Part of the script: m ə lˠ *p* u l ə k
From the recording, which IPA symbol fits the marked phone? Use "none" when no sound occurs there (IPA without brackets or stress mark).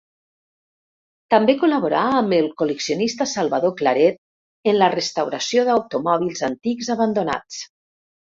k